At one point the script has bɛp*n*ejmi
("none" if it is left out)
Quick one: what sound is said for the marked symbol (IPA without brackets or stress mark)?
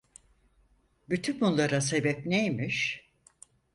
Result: n